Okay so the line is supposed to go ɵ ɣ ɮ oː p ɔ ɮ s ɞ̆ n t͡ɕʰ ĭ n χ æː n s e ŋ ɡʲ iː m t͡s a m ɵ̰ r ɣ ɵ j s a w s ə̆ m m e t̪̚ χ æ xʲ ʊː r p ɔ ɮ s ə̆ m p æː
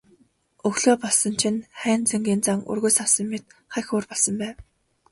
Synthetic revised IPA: ɵ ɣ ɮ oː p ɔ ɮ s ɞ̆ n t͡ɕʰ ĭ n χ æː n t͡s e ŋ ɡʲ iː n t͡s a ŋ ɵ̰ r ɣ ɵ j s a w s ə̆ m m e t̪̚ χ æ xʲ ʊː r p ɔ ɮ s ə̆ m p æː